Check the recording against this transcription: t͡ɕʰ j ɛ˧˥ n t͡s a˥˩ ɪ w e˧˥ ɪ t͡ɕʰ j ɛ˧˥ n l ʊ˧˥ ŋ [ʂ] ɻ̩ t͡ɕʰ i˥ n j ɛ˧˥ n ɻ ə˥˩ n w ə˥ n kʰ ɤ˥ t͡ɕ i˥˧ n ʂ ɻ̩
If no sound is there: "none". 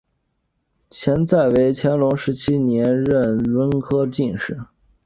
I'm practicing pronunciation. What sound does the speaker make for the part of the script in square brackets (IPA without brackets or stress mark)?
ʂ